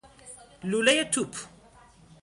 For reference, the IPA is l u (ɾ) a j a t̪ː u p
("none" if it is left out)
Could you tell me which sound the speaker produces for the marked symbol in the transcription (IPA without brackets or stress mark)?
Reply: l